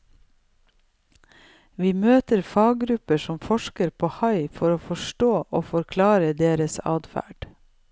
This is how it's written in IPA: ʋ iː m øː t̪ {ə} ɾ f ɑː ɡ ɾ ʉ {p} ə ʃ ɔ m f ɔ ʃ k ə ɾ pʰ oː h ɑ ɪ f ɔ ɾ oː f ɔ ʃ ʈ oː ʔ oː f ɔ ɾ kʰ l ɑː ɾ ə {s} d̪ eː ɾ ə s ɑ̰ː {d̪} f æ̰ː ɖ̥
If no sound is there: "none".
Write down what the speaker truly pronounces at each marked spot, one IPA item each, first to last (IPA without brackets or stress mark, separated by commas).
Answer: ə, p, none, d̪